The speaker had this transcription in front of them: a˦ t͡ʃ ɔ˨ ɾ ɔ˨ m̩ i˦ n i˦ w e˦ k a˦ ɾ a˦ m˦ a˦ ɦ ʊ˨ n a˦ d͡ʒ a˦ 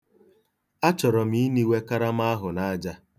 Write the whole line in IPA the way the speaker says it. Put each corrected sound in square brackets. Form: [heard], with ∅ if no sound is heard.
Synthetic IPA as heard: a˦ t͡ʃ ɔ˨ ɾ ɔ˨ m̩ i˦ n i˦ w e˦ k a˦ ɾ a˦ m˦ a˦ ɦ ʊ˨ n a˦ d͡ʒ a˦